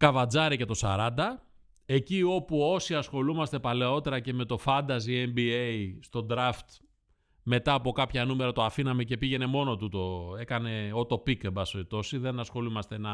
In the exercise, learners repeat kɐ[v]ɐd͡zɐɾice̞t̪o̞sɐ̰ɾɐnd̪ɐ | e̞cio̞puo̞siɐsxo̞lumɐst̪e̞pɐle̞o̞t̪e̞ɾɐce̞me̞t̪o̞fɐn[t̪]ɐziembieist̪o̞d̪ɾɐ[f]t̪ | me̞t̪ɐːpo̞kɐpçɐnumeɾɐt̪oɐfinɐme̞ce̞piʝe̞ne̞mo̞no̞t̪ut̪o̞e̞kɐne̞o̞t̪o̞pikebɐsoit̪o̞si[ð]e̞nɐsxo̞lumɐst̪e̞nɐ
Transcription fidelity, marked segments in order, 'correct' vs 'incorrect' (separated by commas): correct, incorrect, correct, correct